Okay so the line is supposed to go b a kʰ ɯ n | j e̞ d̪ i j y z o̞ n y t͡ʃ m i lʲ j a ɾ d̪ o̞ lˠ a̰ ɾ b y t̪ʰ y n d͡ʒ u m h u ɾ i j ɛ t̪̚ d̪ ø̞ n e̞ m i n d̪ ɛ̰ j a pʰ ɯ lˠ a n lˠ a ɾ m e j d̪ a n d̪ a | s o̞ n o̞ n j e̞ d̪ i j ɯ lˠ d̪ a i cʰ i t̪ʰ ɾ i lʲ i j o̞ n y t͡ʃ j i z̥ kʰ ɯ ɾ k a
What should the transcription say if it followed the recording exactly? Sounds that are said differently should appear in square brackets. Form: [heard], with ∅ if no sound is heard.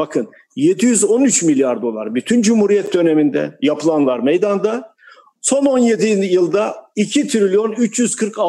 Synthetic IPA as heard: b a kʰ ɯ n | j e̞ d̪ i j y z o̞ n y t͡ʃ m i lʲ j a ɾ d̪ o̞ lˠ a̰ ɾ b y t̪ʰ y n d͡ʒ u m h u ɾ i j ɛ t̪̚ d̪ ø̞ n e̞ m i n d̪ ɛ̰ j a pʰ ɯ lˠ a n lˠ a ɾ m e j d̪ a n d̪ a | s o̞ n o̞ n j e̞ d̪ i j ɯ lˠ d̪ a i cʰ i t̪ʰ ɾ i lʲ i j o̞ n y t͡ʃ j [y] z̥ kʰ ɯ ɾ k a